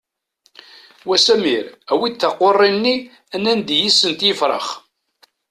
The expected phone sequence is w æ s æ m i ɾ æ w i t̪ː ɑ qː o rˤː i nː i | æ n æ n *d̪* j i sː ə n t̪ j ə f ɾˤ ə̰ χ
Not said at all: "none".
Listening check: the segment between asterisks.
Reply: d̪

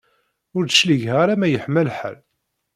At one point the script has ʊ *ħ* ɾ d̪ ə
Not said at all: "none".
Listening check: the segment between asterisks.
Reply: none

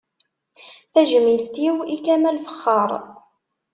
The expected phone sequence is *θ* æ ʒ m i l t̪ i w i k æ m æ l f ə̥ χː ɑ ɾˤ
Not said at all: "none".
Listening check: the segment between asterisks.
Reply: θ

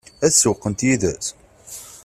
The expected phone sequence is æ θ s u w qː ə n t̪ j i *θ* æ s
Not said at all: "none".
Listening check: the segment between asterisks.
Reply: ð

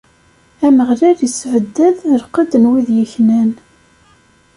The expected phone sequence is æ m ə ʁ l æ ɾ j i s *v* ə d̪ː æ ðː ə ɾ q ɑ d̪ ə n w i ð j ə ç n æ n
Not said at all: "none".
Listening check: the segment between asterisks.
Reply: ʕ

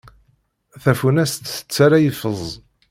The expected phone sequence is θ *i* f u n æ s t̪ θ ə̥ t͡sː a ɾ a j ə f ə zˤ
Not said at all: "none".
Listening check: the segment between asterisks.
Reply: æ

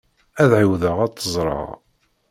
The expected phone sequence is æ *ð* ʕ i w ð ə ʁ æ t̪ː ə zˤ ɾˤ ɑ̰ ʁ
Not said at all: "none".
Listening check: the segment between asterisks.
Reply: ð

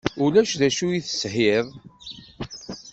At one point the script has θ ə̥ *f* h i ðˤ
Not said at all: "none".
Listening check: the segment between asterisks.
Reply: s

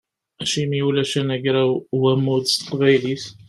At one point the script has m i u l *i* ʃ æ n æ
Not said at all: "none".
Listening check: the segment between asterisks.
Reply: æ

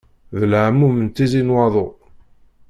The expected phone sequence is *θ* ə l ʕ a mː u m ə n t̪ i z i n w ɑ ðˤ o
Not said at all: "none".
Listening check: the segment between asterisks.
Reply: ð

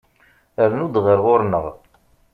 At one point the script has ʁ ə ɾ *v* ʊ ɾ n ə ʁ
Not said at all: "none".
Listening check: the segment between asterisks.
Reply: ʁ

